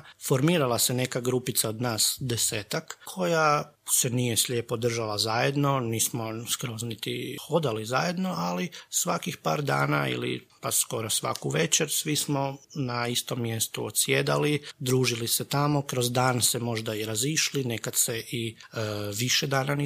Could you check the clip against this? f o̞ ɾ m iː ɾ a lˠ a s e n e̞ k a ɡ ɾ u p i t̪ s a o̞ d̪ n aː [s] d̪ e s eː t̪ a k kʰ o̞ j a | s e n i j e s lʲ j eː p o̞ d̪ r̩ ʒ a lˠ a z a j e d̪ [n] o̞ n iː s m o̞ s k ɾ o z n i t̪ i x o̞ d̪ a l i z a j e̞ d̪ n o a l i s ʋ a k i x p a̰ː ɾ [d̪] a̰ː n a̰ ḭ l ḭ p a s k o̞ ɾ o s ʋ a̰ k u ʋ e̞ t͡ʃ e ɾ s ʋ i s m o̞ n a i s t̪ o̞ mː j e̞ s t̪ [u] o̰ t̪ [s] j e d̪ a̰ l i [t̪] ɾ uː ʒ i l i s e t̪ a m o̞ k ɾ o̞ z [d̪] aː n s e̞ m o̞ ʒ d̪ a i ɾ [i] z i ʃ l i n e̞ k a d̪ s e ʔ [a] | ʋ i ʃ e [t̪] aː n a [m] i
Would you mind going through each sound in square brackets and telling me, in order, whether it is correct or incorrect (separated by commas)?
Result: correct, correct, correct, correct, correct, incorrect, correct, incorrect, incorrect, incorrect, incorrect